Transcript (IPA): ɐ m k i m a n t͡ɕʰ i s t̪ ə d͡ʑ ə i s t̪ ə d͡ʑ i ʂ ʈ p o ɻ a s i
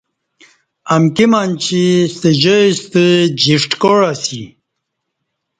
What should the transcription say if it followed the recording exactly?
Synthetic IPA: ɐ m k i m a n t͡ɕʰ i s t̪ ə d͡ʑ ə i s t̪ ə d͡ʑ i ʂ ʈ k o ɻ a s i